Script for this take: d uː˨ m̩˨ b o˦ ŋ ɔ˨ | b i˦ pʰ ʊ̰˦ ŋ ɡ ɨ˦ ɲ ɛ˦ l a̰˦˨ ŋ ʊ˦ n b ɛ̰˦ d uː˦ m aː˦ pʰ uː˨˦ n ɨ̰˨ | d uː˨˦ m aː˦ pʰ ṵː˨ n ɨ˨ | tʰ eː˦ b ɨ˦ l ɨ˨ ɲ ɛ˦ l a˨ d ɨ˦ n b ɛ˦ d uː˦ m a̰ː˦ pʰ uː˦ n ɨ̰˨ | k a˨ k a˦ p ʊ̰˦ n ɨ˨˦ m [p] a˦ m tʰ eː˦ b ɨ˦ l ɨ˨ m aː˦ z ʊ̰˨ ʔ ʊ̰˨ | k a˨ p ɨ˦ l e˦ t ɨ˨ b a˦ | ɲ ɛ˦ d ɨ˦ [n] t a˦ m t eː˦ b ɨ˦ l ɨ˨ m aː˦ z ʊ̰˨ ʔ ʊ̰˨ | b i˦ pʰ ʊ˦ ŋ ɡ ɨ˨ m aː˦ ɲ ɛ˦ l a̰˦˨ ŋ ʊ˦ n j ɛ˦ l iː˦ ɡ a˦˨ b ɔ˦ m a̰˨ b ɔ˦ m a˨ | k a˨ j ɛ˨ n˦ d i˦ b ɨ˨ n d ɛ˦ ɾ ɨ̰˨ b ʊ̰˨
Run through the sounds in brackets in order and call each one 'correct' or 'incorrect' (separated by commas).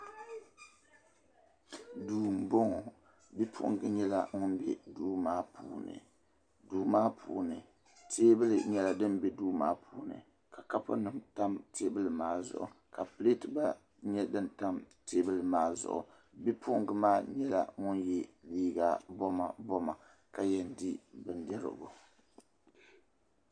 incorrect, correct